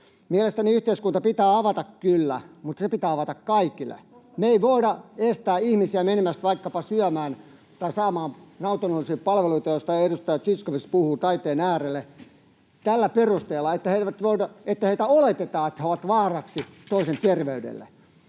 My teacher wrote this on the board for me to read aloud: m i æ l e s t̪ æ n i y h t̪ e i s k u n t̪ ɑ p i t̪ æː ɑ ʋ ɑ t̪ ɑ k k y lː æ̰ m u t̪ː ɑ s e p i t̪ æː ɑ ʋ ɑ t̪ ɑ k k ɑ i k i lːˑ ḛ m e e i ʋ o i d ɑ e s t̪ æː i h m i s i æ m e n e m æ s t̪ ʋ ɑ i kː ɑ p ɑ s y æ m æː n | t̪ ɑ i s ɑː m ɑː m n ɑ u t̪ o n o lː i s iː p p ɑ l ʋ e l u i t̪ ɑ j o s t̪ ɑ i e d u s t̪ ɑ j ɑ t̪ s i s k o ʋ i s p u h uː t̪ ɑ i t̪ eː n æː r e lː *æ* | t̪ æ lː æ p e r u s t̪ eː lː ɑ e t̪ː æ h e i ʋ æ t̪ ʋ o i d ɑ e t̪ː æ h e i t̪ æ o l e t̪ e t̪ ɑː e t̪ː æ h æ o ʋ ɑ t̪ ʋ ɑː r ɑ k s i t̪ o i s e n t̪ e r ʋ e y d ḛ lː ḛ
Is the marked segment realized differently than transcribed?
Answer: yes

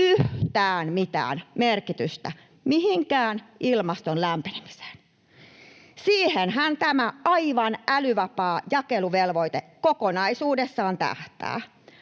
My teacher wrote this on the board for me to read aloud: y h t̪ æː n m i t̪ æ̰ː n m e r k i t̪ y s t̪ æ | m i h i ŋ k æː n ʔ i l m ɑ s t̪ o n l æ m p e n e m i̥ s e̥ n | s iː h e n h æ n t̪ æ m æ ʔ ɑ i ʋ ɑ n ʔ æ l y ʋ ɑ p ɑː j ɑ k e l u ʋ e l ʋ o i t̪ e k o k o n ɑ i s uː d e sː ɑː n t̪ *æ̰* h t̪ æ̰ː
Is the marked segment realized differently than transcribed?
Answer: no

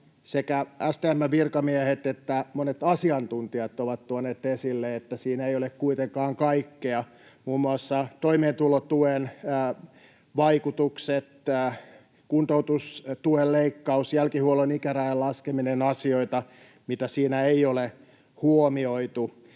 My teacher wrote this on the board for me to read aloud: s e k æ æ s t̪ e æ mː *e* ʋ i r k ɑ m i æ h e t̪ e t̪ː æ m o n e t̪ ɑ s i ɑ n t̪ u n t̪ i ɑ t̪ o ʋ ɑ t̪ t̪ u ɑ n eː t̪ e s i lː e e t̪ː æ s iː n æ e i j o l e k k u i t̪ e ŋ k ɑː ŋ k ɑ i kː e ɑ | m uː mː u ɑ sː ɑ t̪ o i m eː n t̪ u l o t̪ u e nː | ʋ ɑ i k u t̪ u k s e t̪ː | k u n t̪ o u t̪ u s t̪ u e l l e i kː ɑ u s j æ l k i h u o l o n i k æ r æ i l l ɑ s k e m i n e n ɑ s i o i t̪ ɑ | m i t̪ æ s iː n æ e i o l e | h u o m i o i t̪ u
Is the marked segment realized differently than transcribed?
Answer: yes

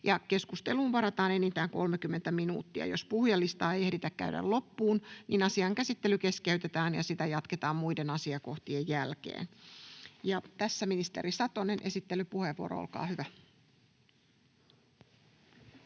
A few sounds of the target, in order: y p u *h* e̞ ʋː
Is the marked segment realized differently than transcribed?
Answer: no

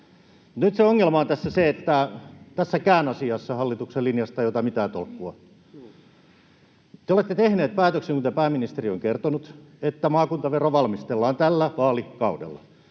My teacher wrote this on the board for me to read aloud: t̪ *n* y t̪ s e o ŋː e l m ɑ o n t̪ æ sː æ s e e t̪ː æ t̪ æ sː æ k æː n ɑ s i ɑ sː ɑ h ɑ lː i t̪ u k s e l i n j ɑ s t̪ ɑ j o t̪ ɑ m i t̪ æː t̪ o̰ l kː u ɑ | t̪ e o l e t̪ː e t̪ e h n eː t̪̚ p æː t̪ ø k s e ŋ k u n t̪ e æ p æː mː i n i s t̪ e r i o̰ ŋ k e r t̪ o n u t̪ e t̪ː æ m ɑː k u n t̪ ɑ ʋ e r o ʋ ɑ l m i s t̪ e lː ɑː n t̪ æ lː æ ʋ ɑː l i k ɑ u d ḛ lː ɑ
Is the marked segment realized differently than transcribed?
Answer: no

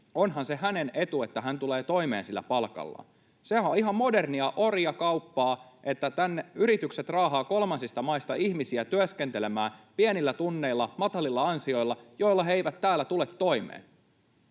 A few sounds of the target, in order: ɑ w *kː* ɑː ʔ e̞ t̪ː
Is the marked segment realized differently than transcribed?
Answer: yes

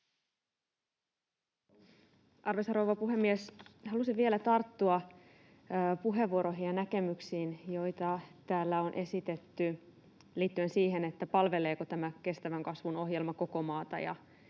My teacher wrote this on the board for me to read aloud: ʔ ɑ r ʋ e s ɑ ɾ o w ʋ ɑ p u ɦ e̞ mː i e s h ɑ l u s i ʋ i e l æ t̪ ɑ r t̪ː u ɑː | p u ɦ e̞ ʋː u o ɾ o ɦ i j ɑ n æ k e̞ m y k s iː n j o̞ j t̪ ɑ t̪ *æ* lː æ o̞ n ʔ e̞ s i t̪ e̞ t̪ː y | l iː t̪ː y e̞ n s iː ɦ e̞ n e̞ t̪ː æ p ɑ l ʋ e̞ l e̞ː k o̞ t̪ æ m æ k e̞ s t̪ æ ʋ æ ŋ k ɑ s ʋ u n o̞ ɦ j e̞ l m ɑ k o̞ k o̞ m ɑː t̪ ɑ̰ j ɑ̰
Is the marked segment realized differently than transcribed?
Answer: yes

